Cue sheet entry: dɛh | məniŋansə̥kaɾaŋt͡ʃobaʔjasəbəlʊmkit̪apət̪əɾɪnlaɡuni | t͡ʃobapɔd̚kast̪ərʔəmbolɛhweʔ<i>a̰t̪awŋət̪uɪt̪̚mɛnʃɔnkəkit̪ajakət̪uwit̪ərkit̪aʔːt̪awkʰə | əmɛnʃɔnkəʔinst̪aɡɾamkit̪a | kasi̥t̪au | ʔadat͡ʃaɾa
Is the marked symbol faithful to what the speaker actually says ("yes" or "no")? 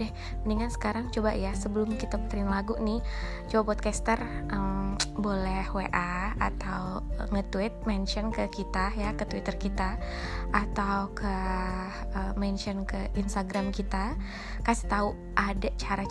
no